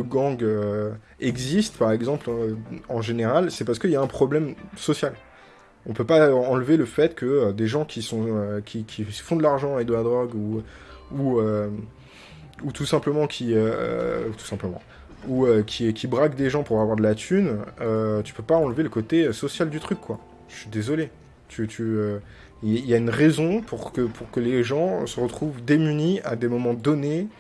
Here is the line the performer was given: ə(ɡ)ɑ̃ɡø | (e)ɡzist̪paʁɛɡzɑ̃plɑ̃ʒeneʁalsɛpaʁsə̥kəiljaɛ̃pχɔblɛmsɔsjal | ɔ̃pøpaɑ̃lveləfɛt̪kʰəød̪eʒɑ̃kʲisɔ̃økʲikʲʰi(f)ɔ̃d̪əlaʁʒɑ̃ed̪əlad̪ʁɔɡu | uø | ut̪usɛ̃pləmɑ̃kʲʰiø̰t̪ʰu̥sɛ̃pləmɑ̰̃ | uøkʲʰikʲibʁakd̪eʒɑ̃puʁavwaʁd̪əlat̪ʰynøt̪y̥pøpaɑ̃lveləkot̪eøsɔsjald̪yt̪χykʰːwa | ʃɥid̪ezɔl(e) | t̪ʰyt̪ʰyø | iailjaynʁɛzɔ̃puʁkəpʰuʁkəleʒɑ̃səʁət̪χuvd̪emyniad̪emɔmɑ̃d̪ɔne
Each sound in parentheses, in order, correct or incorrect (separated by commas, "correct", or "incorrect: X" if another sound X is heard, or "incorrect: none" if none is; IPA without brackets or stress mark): correct, incorrect: ɛ, correct, correct